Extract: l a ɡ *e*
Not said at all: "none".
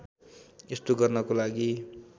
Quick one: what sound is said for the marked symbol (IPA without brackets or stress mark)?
i